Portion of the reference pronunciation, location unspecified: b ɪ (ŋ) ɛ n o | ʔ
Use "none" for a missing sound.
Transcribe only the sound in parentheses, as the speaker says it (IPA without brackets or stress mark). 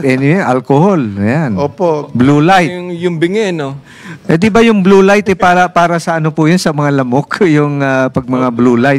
ŋ